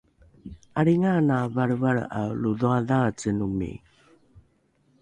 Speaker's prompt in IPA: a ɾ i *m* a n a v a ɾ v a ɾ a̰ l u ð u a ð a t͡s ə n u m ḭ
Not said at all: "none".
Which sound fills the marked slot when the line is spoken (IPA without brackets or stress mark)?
ŋ